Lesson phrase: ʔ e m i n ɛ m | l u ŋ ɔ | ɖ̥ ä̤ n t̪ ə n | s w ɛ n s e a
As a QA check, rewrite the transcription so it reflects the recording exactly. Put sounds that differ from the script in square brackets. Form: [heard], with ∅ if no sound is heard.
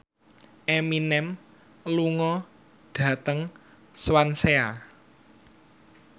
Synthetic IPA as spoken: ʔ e m i n ɛ m | l u ŋ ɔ | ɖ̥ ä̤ [∅] t̪ ə [ŋ] | s w [a] n s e a